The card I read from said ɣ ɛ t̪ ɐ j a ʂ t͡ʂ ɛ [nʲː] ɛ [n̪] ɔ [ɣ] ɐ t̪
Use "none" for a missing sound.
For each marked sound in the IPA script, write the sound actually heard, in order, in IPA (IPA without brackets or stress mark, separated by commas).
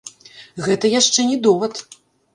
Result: nʲ, d̪, v